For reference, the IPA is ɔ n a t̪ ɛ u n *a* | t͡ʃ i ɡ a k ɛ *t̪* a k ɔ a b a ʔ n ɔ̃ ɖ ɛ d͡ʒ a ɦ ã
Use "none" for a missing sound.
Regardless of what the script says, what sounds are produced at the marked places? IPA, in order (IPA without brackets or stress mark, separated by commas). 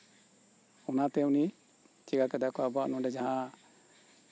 i, d̪